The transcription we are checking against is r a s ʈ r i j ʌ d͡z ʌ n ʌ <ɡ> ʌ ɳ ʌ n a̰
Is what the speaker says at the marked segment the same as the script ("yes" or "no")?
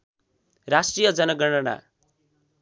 yes